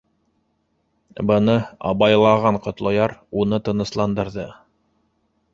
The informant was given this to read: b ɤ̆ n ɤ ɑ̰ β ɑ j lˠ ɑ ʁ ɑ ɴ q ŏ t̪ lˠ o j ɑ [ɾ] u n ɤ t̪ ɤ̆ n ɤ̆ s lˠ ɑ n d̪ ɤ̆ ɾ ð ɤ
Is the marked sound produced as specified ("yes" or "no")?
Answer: yes